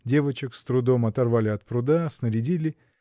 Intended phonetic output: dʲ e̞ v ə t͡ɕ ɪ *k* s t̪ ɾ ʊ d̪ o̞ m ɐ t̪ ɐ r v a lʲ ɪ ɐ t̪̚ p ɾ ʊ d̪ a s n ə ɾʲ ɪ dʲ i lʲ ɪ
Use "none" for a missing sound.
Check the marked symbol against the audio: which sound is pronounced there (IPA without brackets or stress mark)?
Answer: k